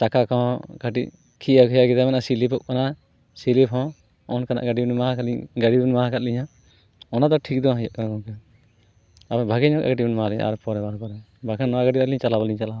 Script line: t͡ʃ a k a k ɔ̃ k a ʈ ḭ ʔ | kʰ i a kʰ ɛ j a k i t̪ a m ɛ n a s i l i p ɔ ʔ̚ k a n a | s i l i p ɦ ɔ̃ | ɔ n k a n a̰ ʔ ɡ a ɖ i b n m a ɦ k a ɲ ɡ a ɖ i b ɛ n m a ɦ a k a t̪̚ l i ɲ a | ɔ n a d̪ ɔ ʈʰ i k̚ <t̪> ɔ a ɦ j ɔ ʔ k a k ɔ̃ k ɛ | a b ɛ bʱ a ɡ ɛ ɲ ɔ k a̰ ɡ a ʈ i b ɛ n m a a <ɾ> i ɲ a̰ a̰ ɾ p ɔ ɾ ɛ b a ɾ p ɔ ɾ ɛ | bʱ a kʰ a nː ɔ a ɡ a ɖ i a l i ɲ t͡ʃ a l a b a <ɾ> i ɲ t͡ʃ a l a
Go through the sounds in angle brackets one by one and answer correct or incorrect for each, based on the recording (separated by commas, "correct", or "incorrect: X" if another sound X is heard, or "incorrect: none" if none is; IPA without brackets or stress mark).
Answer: incorrect: d̪, incorrect: l, incorrect: l